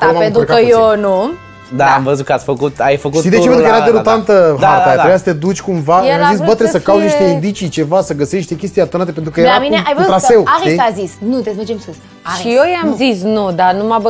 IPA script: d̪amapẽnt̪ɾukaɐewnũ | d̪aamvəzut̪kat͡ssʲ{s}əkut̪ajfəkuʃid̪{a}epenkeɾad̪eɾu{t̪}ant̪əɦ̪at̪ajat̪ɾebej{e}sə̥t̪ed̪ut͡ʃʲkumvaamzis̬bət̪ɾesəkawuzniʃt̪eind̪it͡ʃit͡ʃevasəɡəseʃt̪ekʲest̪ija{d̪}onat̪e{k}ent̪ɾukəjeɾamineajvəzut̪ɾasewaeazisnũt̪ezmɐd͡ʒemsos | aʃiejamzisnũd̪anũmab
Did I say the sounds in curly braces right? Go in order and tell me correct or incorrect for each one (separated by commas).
incorrect, incorrect, correct, incorrect, incorrect, incorrect